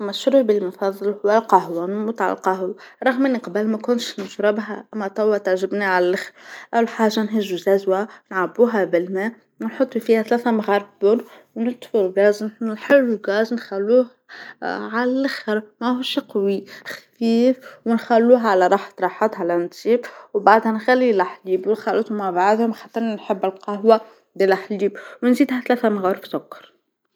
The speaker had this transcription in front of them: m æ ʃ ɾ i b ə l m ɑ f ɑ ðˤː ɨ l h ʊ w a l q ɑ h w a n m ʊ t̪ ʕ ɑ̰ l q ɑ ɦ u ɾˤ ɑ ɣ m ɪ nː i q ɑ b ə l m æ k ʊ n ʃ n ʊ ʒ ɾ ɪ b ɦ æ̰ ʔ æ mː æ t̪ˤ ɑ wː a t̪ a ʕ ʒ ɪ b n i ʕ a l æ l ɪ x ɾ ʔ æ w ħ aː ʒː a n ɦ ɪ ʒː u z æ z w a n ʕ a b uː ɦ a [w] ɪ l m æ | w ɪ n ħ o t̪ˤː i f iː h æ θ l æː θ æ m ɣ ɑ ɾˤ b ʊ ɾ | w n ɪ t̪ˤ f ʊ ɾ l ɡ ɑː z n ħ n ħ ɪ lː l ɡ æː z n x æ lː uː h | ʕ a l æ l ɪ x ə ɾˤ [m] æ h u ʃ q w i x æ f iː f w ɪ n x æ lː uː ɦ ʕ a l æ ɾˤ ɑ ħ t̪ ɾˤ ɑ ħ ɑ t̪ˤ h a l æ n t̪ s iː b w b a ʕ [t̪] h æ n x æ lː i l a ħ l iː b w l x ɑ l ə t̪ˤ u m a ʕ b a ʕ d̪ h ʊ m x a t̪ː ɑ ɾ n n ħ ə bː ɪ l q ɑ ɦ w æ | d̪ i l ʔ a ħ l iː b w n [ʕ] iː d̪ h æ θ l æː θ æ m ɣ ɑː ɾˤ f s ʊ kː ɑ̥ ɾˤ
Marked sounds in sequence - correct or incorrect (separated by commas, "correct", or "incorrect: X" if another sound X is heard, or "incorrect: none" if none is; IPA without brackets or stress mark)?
incorrect: b, correct, incorrect: d̪, incorrect: z